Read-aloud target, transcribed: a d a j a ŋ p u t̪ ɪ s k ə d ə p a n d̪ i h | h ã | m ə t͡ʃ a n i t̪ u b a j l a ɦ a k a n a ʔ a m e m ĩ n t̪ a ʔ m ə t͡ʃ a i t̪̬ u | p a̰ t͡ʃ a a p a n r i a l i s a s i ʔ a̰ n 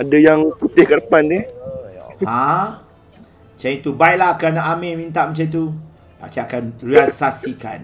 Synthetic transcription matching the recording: a d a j a ŋ p u t̪ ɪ h k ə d ə p a n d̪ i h | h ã | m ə t͡ʃ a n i t̪ u b a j l a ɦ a k a n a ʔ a m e m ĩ n t̪ a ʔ m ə t͡ʃ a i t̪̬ u | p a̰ t͡ʃ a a k a n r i a l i s a s i k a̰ n